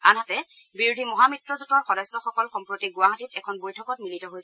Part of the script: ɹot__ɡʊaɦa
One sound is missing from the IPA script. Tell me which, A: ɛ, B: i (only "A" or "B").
B